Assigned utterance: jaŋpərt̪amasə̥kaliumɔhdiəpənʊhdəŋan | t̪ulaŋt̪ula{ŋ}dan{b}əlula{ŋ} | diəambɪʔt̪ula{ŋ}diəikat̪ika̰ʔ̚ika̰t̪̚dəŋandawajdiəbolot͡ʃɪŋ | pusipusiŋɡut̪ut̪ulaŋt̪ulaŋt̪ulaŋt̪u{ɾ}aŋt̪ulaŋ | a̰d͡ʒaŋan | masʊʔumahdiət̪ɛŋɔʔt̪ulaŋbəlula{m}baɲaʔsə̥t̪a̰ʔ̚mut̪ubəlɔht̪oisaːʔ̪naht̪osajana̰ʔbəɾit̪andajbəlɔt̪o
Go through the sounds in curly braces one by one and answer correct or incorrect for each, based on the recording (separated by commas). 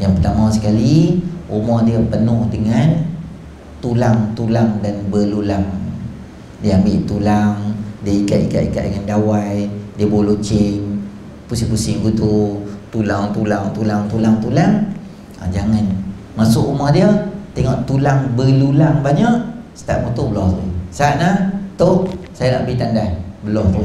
correct, correct, correct, correct, incorrect, incorrect